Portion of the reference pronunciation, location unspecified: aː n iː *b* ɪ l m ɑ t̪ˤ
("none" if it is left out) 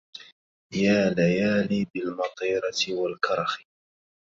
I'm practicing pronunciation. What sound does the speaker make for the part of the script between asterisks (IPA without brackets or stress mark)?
b